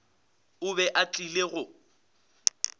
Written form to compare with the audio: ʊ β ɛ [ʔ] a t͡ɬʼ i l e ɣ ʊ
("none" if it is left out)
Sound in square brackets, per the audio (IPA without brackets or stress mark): ʔ